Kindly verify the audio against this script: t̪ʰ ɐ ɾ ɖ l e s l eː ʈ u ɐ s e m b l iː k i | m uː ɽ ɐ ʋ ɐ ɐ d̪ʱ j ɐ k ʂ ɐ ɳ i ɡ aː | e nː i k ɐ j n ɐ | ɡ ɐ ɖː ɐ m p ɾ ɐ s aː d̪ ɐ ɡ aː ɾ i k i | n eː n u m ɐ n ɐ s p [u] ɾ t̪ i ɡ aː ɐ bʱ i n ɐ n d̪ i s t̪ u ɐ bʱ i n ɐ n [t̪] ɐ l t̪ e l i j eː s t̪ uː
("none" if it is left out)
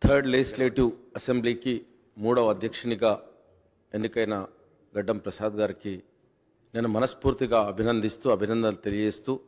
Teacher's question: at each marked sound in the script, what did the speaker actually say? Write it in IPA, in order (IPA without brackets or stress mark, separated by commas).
uː, d̪